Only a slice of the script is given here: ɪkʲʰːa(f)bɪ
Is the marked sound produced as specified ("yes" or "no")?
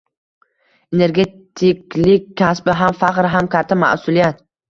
no